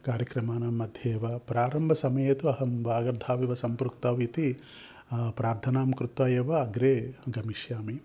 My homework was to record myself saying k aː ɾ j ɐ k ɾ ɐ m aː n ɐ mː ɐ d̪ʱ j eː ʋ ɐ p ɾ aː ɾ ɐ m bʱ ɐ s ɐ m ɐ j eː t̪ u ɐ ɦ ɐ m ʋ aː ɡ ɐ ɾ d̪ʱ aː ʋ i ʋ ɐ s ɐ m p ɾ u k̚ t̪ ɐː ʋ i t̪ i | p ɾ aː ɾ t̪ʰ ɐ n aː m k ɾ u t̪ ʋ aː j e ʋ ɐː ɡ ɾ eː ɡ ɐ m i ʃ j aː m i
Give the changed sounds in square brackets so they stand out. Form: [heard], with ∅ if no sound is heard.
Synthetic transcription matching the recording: k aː ɾ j ɐ k ɾ ɐ m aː n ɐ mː ɐ d̪ʱ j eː ʋ ɐ p ɾ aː ɾ ɐ m bʱ ɐ s ɐ m ɐ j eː t̪ u ɐ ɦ ɐ m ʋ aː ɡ ɐ ɾ d̪ʱ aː ʋ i ʋ ɐ s ɐ m p ɾ u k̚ t̪ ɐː ʋ i t̪ i | p ɾ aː ɾ t̪ʰ ɐ n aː m k ɾ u t̪ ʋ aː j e ʋ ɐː ɡ ɾ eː ɡ ɐ m i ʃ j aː m i